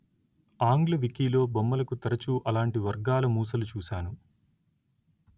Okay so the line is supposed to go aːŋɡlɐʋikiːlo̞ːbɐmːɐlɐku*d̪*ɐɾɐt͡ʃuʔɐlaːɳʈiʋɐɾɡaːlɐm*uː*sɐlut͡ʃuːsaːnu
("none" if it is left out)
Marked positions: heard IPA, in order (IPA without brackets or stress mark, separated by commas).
t̪, uː